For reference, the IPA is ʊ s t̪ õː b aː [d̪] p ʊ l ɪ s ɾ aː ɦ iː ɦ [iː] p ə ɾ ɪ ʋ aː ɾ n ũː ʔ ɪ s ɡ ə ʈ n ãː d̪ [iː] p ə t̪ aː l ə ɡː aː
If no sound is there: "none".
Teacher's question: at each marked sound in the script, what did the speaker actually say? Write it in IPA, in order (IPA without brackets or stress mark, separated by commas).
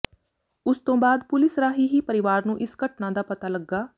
d̪, iː, aː